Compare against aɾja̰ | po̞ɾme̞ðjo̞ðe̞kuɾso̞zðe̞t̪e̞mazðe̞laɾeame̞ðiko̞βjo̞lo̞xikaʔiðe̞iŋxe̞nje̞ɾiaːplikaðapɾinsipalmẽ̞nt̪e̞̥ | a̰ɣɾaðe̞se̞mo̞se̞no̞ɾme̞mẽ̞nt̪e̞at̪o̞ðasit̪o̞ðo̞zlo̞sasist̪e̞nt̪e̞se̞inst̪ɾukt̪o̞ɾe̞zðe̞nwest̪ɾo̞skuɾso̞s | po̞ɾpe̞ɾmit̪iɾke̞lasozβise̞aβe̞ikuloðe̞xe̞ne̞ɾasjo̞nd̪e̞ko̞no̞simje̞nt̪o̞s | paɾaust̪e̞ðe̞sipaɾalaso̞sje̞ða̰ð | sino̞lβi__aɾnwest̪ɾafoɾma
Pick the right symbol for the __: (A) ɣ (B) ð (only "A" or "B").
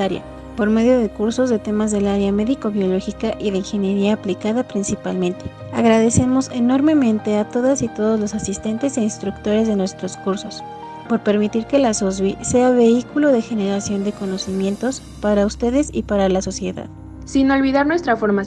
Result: B